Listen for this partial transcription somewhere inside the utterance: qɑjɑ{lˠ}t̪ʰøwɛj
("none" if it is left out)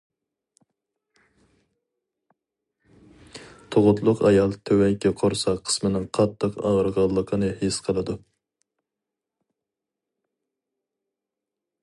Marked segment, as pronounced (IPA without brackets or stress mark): lˠ